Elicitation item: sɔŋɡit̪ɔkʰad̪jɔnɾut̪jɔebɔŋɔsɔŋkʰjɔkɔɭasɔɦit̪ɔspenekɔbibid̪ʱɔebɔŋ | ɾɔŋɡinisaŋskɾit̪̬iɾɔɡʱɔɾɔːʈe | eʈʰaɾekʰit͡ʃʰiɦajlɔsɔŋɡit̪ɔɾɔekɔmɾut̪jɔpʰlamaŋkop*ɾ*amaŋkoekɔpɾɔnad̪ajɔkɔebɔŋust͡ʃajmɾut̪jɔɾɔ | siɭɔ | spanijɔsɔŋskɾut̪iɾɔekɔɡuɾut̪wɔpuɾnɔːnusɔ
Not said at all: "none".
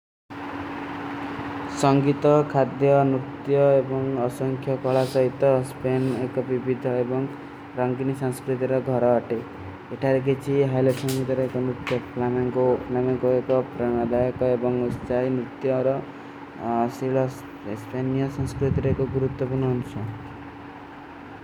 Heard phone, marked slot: l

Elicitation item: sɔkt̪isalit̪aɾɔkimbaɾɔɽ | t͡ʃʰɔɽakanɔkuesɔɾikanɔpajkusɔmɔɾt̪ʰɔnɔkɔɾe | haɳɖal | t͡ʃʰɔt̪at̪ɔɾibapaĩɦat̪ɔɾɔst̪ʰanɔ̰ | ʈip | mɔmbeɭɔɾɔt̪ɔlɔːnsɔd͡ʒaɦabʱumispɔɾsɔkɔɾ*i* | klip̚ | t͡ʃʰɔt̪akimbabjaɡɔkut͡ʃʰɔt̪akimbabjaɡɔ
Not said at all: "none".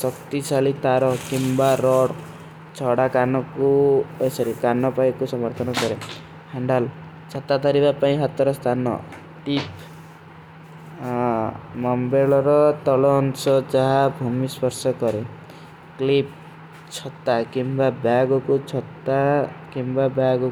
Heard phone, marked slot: e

